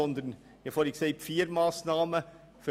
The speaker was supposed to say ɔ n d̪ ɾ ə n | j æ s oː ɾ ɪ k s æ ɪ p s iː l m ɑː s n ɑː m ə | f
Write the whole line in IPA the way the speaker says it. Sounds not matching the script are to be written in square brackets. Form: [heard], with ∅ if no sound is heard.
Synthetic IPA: ɔ n d̪ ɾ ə n | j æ [f] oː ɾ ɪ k s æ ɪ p [f] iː [ɾ] m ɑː s n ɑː m ə | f